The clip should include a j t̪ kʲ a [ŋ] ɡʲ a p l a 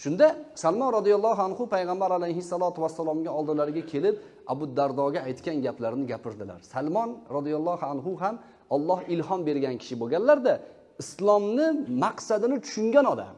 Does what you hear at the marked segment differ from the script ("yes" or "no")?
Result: yes